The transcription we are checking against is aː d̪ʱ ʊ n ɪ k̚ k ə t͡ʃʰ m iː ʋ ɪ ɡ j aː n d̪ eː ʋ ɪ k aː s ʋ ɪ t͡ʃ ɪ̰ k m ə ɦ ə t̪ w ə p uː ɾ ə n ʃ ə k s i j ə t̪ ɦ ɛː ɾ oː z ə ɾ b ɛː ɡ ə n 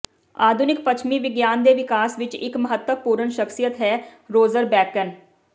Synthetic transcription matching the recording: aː d̪ʱ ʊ n ɪ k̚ p ə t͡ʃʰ m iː ʋ ɪ ɡ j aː n d̪ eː ʋ ɪ k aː s ʋ ɪ t͡ʃ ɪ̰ k m ə ɦ ə t̪ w ə p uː ɾ ə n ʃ ə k s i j ə t̪ ɦ ɛː ɾ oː z ə ɾ b ɛː k ə n

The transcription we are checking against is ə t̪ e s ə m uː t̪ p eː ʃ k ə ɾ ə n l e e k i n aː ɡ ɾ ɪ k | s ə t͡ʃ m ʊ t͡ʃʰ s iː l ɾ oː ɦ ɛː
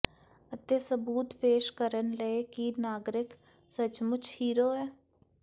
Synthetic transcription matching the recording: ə t̪ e s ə b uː t̪ p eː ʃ k ə ɾ ə n l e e k i n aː ɡ ɾ ɪ k | s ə t͡ʃ m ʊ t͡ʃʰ h iː ɾ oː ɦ ɛː

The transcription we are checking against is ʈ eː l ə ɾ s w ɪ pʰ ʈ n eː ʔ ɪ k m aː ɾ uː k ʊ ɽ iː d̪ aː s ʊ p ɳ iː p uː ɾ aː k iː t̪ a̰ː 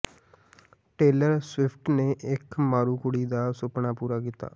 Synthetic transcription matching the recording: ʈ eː l ə ɾ s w ɪ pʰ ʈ n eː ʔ ɪ k m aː ɾ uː k ʊ ɽ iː d̪ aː s ʊ p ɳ aː p uː ɾ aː k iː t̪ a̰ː

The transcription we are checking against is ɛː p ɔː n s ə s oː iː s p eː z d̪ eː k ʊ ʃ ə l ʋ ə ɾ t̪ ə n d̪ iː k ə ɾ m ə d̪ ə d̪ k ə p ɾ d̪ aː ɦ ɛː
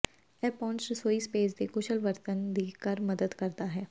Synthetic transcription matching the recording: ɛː p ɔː n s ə s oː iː s p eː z d̪ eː k ʊ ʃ ə l ʋ ə ɾ t̪ ə n d̪ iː k ə ɾ m ə d̪ ə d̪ k ə ɾ d̪ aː ɦ ɛː

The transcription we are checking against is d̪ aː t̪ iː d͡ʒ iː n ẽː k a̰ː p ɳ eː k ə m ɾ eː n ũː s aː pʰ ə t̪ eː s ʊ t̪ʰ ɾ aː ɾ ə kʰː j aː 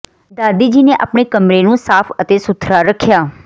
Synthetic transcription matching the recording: d̪ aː d̪ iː d͡ʒ iː n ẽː ʔ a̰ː p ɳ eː k ə m ɾ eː n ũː s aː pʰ ə t̪ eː s ʊ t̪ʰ ɾ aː ɾ ə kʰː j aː

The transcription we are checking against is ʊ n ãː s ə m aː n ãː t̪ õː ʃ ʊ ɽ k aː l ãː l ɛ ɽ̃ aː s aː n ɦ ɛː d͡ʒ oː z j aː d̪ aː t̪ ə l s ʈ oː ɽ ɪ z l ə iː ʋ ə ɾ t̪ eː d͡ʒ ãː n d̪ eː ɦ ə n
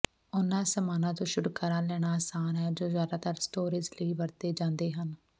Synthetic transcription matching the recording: ʊ n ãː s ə m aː n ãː t̪ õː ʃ ʊ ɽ k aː ɾ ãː l ɛː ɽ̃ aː s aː n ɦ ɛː d͡ʒ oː z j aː d̪ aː t̪ ə ɾ s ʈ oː ɾ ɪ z l ə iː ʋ ə ɾ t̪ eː d͡ʒ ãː n d̪ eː ɦ ə n

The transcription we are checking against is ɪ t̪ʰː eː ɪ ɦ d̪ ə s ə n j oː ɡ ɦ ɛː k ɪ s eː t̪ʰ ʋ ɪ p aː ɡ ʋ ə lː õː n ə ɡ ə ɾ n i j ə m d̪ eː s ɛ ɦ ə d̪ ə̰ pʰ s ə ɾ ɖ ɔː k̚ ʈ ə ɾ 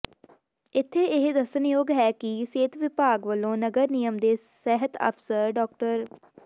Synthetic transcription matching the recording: ɪ t̪ʰː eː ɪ ɦ d̪ ə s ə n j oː ɡ ɦ ɛː k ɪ s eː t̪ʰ ʋ ɪ p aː ɡ ʋ ə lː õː n ə ɡ ə ɾ n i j ə m d̪ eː s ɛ ɦ ə t̪ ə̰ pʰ s ə ɾ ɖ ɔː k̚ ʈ ə ɾ

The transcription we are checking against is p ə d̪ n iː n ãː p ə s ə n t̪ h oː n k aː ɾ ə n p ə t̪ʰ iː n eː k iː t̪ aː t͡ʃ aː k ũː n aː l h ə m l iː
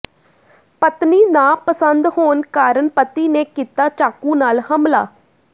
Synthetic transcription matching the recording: p ə t̪ n iː n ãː p ə s ə n d̪ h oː n k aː ɾ ə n p ə t̪ iː n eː k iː t̪ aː t͡ʃ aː k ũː n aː l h ə m l aː

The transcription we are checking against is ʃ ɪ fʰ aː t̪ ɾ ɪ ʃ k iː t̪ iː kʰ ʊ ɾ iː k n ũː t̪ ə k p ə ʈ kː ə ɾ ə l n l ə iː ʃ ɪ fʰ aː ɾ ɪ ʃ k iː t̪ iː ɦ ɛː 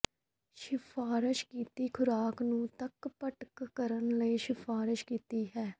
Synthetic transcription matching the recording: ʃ ɪ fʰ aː ɾ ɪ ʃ k iː t̪ iː kʰ ʊ ɾ aː k n ũː t̪ ə k p ə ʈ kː ə ɾ ə n l ə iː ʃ ɪ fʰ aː ɾ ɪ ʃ k iː t̪ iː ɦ ɛː

